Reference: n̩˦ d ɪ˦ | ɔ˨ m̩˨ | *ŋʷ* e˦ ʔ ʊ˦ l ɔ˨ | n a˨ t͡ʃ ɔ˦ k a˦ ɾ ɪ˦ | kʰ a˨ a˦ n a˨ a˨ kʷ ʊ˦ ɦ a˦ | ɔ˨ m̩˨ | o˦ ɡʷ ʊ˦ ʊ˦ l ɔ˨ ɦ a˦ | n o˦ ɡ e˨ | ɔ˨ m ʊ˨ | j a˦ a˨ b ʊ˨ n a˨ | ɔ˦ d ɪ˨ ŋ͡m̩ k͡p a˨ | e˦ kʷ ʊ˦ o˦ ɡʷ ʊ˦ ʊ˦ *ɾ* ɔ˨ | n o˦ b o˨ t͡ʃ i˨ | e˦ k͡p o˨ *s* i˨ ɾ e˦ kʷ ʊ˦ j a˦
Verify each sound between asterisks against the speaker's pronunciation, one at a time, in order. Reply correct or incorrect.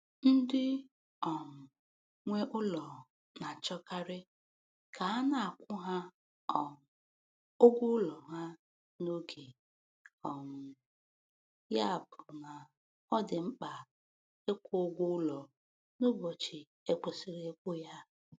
correct, incorrect, correct

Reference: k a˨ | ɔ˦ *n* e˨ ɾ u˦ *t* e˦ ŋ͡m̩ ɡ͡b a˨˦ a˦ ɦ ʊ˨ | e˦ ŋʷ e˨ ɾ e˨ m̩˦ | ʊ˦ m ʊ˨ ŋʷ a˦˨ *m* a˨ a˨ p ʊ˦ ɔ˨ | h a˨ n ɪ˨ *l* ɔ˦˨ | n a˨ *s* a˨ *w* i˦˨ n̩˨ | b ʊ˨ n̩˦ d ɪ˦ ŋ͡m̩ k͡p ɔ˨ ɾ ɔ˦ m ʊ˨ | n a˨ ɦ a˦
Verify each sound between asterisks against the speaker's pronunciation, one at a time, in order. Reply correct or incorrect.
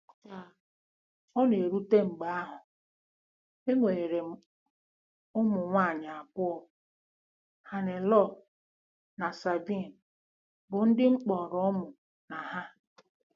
correct, correct, incorrect, correct, correct, incorrect

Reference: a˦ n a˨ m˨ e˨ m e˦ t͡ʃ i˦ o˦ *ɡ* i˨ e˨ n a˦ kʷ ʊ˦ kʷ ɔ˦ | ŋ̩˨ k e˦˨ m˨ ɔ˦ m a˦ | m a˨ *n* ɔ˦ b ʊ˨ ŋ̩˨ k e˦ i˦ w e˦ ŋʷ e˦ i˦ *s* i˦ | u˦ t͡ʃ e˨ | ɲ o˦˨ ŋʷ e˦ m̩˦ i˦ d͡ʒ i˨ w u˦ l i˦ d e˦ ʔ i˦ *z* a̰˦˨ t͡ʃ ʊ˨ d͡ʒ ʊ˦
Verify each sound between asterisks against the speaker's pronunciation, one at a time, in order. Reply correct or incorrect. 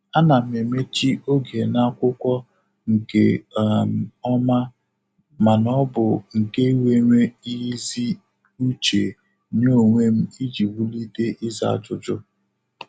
correct, correct, incorrect, correct

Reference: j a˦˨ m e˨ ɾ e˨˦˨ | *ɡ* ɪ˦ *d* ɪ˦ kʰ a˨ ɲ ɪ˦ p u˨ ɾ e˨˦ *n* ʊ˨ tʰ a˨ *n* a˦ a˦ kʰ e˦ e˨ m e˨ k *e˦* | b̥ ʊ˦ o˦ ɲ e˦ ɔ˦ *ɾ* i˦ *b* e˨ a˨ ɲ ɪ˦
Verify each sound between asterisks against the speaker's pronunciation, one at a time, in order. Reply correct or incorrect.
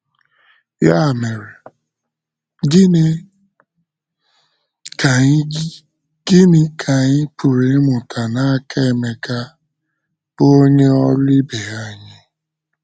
correct, incorrect, incorrect, correct, incorrect, incorrect, correct

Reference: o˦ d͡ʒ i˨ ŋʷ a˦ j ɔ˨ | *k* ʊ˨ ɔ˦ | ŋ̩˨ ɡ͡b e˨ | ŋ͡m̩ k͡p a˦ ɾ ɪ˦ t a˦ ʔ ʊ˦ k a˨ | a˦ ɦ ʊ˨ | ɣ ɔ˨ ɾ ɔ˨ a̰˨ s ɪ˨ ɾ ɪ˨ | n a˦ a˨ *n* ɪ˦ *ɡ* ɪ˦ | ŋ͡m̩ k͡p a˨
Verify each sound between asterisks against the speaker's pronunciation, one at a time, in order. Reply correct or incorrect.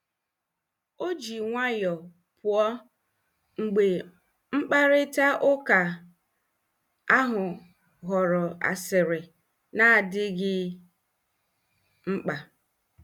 incorrect, incorrect, correct

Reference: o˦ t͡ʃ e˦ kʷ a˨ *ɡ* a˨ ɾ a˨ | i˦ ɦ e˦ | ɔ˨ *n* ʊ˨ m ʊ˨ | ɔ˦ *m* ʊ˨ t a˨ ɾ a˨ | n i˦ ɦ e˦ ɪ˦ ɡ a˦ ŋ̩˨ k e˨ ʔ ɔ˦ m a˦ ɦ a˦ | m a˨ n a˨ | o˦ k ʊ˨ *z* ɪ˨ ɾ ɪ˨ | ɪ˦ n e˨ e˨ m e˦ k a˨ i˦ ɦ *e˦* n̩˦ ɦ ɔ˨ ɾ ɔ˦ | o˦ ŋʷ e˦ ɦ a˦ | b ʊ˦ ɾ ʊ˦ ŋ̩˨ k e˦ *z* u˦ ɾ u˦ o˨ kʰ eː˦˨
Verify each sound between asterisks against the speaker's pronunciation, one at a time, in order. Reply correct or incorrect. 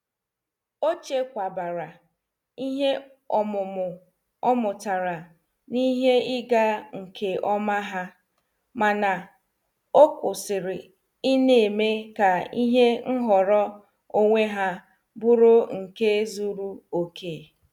incorrect, incorrect, correct, incorrect, correct, correct

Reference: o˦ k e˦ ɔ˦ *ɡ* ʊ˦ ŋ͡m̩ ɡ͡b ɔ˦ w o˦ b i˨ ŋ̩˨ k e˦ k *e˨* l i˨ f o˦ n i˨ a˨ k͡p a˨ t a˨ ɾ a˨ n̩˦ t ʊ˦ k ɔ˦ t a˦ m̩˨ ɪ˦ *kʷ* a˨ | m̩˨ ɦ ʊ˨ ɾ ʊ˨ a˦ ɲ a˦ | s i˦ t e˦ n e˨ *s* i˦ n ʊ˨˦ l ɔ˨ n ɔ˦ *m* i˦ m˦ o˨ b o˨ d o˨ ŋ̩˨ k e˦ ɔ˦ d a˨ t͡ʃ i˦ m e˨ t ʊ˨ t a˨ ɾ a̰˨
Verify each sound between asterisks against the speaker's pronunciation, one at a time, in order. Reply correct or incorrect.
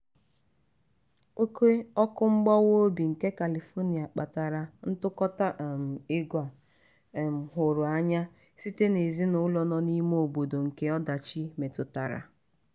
incorrect, incorrect, incorrect, incorrect, incorrect

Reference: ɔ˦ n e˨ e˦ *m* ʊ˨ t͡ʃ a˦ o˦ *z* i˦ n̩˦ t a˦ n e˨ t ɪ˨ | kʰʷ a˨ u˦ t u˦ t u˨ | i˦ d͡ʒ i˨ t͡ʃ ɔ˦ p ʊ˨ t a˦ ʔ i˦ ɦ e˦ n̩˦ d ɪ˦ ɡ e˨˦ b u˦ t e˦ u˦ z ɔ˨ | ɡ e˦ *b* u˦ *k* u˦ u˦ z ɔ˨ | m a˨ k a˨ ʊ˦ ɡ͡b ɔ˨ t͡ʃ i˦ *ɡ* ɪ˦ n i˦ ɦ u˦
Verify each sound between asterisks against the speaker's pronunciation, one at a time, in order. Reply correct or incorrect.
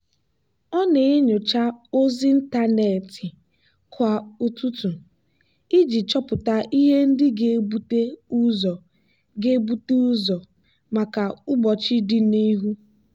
incorrect, correct, correct, incorrect, incorrect

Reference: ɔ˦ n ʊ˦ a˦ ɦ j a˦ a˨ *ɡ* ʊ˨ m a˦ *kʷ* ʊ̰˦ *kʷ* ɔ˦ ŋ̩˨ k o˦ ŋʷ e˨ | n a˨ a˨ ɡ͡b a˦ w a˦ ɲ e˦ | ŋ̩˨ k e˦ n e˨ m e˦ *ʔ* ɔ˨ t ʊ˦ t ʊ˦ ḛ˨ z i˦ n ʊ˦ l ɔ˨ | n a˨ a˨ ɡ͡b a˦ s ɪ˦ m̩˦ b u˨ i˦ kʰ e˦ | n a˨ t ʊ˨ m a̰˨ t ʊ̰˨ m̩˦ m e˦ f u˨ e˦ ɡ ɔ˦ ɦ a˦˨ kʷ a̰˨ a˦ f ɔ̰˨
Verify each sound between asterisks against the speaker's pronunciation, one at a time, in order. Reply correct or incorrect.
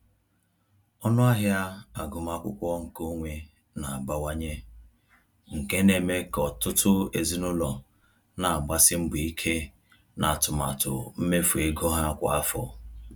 correct, correct, correct, incorrect

